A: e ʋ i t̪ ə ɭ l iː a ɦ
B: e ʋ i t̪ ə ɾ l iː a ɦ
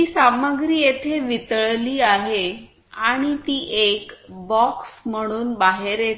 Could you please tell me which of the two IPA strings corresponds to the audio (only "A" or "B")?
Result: A